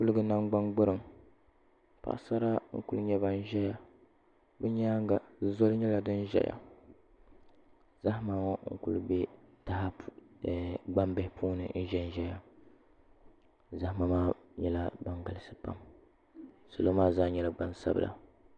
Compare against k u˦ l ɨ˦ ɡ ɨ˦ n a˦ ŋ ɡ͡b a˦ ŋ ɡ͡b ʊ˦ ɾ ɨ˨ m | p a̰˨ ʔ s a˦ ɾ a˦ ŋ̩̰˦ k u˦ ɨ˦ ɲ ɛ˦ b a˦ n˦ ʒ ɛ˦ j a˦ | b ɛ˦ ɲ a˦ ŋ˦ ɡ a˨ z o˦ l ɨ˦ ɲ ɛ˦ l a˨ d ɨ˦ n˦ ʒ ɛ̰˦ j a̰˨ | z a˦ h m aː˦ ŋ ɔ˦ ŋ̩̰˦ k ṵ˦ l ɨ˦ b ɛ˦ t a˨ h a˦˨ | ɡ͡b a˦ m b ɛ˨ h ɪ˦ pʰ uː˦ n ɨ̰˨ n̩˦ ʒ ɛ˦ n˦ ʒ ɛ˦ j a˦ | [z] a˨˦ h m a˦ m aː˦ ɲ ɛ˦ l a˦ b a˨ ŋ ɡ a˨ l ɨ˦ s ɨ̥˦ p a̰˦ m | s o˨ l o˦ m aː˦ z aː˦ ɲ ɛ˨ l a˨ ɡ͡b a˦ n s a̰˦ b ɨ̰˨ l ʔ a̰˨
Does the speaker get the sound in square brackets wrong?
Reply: no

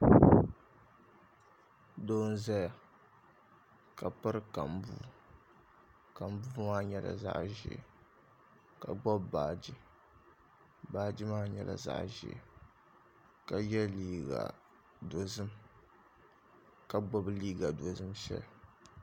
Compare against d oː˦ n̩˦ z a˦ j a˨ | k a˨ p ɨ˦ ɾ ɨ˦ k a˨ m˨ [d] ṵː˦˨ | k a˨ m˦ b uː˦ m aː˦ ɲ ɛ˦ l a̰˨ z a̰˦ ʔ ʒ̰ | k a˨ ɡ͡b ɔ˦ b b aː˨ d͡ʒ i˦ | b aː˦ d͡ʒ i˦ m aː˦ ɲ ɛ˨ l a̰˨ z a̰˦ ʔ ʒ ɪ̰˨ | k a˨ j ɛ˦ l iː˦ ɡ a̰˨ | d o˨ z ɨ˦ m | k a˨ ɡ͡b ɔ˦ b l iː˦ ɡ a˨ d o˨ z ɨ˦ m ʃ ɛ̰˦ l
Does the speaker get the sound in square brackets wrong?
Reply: yes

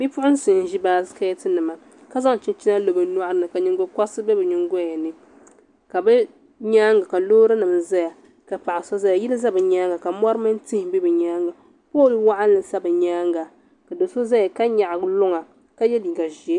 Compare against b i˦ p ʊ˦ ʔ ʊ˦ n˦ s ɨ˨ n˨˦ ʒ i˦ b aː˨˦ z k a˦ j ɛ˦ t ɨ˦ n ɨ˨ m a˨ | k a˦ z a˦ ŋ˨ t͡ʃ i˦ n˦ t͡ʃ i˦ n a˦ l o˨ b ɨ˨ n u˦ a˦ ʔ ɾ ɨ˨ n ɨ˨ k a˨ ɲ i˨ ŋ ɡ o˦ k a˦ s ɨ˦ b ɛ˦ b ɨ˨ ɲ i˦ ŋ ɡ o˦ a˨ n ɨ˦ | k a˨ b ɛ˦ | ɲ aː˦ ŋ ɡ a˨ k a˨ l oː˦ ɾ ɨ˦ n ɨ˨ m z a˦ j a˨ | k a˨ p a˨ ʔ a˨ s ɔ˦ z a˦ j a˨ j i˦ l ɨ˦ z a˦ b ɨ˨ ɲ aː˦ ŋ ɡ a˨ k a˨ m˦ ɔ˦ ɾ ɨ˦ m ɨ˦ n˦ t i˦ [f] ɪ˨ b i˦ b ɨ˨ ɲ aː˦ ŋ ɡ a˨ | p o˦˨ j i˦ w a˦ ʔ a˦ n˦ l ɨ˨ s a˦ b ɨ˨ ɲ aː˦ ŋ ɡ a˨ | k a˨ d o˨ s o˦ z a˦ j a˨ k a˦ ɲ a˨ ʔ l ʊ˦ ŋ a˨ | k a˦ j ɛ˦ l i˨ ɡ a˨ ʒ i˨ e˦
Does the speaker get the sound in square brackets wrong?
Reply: yes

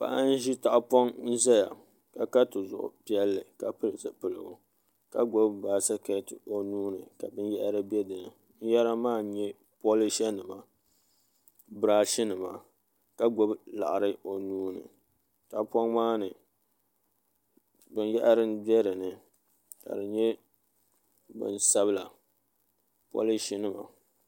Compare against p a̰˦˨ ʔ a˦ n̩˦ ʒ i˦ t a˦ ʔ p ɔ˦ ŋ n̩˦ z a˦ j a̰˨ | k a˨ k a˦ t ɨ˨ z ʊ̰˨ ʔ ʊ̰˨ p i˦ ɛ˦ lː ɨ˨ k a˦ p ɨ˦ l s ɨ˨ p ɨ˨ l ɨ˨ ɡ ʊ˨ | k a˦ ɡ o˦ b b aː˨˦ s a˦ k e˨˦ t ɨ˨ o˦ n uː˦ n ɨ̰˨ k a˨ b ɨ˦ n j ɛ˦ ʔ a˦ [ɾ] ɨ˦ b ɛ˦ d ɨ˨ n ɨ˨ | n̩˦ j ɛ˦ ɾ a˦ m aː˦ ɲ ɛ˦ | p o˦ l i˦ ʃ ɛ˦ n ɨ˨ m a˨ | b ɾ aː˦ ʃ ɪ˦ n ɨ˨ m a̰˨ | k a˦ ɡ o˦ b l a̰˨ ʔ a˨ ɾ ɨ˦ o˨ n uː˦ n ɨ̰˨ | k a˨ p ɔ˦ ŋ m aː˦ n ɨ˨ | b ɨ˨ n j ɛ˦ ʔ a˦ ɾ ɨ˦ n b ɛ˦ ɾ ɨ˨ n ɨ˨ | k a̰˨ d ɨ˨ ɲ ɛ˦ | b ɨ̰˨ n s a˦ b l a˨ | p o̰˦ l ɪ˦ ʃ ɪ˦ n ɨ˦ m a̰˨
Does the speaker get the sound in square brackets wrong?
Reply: no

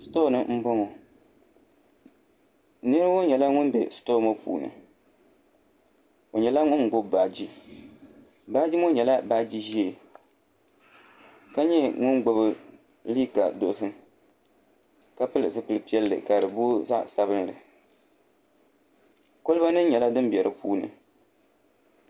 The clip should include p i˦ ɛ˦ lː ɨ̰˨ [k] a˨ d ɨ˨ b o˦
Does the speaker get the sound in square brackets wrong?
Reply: no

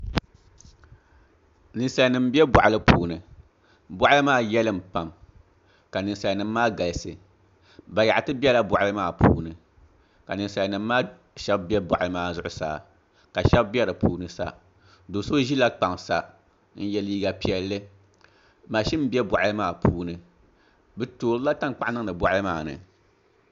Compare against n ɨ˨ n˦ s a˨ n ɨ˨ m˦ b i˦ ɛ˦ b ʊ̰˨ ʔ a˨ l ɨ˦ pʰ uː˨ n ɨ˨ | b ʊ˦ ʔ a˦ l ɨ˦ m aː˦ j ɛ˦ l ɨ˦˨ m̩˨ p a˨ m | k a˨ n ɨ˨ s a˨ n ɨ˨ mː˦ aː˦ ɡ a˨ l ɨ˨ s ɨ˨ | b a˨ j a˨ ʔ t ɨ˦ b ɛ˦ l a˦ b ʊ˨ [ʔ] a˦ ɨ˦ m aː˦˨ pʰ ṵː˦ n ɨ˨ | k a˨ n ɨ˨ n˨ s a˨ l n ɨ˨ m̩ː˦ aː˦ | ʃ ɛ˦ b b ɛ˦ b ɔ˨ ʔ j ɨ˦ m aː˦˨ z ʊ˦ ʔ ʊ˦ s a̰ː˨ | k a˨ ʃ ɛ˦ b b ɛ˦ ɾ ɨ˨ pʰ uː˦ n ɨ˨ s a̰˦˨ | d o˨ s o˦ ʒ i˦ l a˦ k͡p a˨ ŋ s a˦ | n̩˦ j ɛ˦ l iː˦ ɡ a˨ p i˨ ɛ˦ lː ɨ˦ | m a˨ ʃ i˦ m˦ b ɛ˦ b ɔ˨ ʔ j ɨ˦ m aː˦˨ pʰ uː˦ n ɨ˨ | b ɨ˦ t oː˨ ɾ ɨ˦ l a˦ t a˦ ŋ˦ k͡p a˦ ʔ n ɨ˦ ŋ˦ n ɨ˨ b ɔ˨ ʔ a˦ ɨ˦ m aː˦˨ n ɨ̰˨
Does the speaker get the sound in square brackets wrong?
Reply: no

